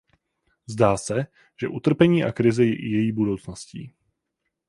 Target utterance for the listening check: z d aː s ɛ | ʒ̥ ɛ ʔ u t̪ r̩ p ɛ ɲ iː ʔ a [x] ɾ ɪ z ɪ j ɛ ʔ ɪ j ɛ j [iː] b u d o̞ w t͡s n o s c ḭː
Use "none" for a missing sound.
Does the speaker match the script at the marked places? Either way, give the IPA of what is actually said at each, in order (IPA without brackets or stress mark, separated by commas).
k, iː